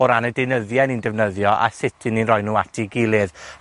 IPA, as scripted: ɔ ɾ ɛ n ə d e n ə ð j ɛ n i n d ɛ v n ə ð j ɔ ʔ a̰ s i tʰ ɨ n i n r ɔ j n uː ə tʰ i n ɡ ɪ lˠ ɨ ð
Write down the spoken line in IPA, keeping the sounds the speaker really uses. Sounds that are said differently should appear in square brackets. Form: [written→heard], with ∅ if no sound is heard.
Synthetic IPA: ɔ ɾ [ɛ→a] n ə d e n ə ð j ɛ n i n d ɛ v n ə ð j ɔ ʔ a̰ s [i→ɪ] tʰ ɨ n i n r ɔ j n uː [ə→a] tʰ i [n→∅] ɡ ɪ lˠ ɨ ð